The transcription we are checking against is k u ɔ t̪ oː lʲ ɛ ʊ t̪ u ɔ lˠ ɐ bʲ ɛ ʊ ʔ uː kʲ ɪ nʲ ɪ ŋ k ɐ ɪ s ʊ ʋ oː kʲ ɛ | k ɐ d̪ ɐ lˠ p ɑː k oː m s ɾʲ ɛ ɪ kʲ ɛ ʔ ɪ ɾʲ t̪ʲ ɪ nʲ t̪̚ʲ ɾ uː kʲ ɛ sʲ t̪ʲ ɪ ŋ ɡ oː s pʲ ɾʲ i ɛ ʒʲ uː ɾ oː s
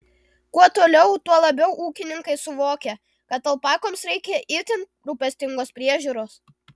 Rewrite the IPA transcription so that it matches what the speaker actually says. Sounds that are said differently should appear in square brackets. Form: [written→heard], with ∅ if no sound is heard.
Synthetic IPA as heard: k u ɔ t̪ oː lʲ ɛ ʊ t̪ u ɔ lˠ ɐ bʲ ɛ ʊ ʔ uː kʲ ɪ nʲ ɪ ŋ k ɐ ɪ s ʊ ʋ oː kʲ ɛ | k ɐ [d̪→t̪] ɐ lˠ p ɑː k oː m s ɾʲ ɛ ɪ kʲ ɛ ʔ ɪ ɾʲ t̪ʲ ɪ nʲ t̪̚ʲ ɾ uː [kʲ→pʲ] ɛ sʲ t̪ʲ ɪ ŋ ɡ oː s pʲ ɾʲ i ɛ ʒʲ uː ɾ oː s

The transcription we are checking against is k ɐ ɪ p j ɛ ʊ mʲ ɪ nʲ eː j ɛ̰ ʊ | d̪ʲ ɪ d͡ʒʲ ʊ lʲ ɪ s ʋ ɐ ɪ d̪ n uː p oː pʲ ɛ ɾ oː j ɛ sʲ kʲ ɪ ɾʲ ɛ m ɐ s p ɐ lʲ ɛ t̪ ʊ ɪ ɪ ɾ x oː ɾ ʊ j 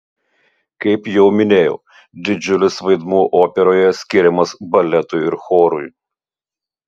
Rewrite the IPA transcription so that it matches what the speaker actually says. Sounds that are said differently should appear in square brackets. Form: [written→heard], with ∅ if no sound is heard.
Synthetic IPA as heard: k ɐ ɪ p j ɛ ʊ mʲ ɪ nʲ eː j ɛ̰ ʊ | d̪ʲ ɪ d͡ʒʲ ʊ lʲ ɪ s ʋ ɐ ɪ d̪ [n→m] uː [p→ʔ] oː pʲ ɛ ɾ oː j ɛ sʲ kʲ ɪ ɾʲ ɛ m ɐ s [p→b] ɐ lʲ ɛ t̪ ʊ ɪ ɪ ɾ x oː ɾ ʊ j

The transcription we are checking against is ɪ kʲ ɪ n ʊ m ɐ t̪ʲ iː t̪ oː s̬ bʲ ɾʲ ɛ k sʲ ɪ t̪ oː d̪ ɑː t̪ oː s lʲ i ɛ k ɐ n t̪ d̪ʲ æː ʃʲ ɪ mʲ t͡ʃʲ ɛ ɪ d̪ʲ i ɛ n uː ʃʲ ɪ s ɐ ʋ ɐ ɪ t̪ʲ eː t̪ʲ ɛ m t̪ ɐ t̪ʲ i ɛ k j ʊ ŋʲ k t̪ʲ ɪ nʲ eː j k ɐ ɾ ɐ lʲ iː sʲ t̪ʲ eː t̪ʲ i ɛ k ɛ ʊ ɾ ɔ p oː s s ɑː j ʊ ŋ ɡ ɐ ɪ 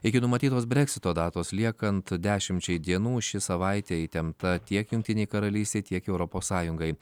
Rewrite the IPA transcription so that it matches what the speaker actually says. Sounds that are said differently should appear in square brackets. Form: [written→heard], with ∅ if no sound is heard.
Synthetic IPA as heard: ɪ kʲ ɪ n ʊ m ɐ t̪ʲ iː t̪ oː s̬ bʲ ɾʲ ɛ k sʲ ɪ t̪ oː d̪ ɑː t̪ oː s lʲ i ɛ k ɐ n t̪ d̪ʲ æː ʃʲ ɪ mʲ t͡ʃʲ ɛ ɪ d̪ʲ i ɛ n uː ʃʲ ɪ s ɐ ʋ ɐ ɪ t̪ʲ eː t̪ʲ ɛ m t̪ ɐ t̪ʲ i ɛ k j ʊ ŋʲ k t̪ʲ ɪ nʲ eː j k ɐ ɾ ɐ lʲ iː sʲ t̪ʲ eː t̪ʲ i ɛ k ɛ ʊ ɾ ɔ p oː s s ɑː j ʊ ŋ ɡ ɐ ɪ

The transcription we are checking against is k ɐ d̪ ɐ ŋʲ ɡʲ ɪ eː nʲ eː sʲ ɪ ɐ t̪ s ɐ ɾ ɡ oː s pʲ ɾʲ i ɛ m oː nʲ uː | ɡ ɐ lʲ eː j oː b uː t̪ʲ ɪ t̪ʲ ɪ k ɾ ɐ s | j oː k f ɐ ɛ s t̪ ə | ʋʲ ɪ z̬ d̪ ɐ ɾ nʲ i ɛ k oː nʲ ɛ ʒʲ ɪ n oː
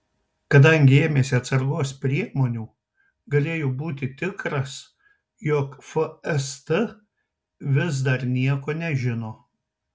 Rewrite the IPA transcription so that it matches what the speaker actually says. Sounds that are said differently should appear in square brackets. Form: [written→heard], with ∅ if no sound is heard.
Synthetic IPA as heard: k ɐ d̪ ɐ ŋʲ ɡʲ ɪ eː [nʲ→mʲ] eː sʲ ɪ ɐ t̪ s ɐ ɾ ɡ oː s pʲ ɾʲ i ɛ m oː nʲ uː | ɡ ɐ lʲ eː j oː b uː t̪ʲ ɪ t̪ʲ ɪ k ɾ ɐ s | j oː k f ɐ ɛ s t̪ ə | ʋʲ ɪ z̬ d̪ ɐ ɾ nʲ i ɛ k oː nʲ ɛ ʒʲ ɪ n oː

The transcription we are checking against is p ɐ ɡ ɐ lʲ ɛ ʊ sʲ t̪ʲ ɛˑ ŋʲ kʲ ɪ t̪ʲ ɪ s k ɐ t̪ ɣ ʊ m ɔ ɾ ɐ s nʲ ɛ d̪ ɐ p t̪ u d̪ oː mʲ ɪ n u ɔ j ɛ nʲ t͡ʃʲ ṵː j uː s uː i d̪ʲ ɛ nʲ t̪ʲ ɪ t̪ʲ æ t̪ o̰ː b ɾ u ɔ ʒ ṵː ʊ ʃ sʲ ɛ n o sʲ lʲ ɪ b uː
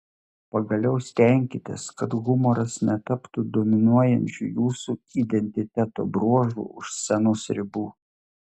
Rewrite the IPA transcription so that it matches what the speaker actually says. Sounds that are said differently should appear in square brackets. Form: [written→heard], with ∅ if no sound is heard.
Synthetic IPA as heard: p ɐ ɡ ɐ lʲ ɛ ʊ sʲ t̪ʲ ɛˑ ŋʲ kʲ ɪ t̪ʲ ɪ s k ɐ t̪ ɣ ʊ m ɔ ɾ ɐ s nʲ ɛ [d̪→t̪] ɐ p t̪ u d̪ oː mʲ ɪ n u ɔ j ɛ nʲ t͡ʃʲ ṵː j uː s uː i d̪ʲ ɛ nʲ t̪ʲ ɪ t̪ʲ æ t̪ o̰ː b ɾ u ɔ ʒ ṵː ʊ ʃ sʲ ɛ n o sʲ [lʲ→ɾʲ] ɪ b uː

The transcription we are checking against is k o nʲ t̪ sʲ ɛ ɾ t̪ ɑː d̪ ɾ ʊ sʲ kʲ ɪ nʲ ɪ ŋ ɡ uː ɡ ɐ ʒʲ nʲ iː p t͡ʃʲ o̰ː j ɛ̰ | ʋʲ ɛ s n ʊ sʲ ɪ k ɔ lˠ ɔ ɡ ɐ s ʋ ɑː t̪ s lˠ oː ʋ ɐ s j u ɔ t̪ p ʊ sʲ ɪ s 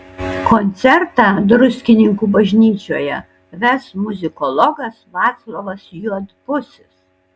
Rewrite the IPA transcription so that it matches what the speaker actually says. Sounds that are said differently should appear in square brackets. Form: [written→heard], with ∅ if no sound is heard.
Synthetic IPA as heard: k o nʲ t̪ sʲ ɛ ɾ t̪ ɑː d̪ ɾ ʊ sʲ kʲ ɪ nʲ ɪ ŋ [ɡ→k] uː [ɡ→b] ɐ ʒʲ nʲ iː [p→∅] t͡ʃʲ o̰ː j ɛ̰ | ʋʲ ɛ s [n→m] ʊ [sʲ→zʲ] ɪ k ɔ lˠ ɔ ɡ ɐ s ʋ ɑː t̪ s lˠ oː ʋ ɐ s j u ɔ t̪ p ʊ sʲ ɪ s

